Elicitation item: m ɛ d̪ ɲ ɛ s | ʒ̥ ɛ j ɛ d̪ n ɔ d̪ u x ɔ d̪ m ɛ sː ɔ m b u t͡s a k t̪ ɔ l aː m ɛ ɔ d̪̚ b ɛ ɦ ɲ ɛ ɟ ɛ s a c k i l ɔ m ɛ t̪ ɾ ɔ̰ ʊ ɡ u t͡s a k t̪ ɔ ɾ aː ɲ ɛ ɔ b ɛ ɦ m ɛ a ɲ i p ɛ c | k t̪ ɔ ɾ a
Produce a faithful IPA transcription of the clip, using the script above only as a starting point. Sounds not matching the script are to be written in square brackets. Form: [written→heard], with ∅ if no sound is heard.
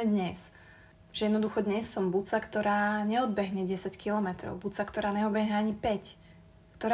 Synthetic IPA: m ɛ d̪ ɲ ɛ s | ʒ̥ ɛ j ɛ d̪ n ɔ d̪ u x ɔ d̪ [m→ɲ] ɛ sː ɔ m b u t͡s a k t̪ ɔ [l→ɾ] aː [m→ɲ] ɛ ɔ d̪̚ b ɛ ɦ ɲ ɛ ɟ ɛ s a c k i l ɔ m ɛ t̪ ɾ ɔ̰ ʊ [ɡ→b] u t͡s a k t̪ ɔ ɾ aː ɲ ɛ ɔ b ɛ ɦ [m→ɲ] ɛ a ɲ i p ɛ c | k t̪ ɔ ɾ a